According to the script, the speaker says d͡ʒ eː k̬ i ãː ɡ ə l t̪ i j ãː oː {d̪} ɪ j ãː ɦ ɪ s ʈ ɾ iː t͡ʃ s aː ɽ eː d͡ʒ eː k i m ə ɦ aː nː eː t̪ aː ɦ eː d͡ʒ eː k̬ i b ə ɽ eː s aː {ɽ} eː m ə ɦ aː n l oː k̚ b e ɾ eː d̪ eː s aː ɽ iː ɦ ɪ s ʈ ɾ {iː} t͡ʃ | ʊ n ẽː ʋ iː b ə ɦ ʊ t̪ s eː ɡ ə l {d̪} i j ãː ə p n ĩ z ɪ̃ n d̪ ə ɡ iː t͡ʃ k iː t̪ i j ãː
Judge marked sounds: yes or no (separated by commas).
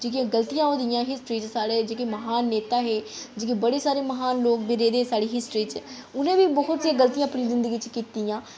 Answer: yes, no, yes, no